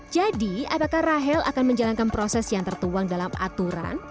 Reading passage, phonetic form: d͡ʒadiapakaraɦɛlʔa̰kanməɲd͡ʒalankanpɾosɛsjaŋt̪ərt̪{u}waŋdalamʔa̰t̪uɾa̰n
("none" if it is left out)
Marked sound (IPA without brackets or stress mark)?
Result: u